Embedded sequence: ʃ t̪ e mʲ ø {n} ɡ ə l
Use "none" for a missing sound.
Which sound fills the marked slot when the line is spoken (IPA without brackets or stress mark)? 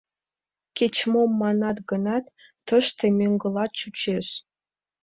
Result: ŋ